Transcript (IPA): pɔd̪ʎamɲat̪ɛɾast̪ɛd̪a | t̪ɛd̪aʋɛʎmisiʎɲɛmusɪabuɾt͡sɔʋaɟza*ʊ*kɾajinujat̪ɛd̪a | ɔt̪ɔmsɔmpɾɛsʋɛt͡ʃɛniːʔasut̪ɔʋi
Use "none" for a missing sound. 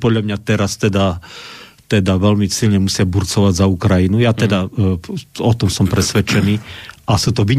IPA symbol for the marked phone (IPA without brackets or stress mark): u